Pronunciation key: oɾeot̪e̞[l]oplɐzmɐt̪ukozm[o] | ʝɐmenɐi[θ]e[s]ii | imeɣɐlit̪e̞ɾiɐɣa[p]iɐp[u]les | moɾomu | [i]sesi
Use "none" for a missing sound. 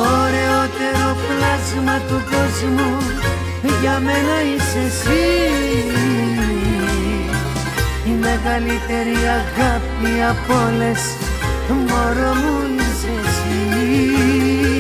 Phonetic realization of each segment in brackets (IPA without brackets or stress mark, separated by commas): ɾ, u, s, s, p, o, i